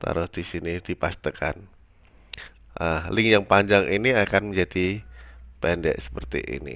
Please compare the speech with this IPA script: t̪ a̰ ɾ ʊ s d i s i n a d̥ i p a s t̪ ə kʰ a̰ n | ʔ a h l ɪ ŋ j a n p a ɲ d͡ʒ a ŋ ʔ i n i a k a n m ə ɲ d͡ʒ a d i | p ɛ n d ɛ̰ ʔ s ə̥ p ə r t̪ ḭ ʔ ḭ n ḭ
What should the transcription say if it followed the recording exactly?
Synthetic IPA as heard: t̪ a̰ ɾ ʊ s d i s i n i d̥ i p a s t̪ ə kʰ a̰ n | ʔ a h l ɪ ŋ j a ŋ p a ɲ d͡ʒ a ŋ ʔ i n i a k a n m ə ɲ d͡ʒ a d i | p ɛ n d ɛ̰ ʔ s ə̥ p ə r t̪ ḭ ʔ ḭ n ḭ